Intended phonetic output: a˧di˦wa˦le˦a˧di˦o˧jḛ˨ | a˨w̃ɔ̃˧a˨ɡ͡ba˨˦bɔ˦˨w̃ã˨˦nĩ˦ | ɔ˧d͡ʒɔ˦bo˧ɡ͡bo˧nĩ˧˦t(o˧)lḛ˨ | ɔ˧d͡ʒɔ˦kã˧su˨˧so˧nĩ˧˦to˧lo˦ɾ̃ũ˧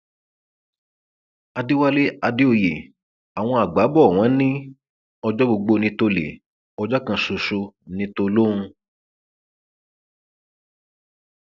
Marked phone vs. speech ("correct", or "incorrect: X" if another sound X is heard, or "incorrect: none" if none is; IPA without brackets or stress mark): correct